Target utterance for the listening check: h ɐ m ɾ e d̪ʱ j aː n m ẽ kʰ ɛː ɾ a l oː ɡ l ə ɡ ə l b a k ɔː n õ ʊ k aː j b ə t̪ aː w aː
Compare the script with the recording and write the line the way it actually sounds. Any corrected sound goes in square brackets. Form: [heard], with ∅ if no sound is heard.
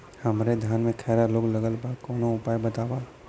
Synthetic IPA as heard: h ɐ m ɾ e d̪ʱ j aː n m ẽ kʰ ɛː ɾ a l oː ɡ l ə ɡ ə l b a k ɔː n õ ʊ [p] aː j b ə t̪ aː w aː